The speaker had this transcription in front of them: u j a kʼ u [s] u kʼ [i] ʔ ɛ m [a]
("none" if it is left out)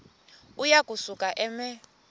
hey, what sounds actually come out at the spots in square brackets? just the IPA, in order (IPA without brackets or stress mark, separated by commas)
s, a, ɛ